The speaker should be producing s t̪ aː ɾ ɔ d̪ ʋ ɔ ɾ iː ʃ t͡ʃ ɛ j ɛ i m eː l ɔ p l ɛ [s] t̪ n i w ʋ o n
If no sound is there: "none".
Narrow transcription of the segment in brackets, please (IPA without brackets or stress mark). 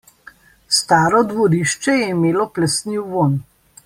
s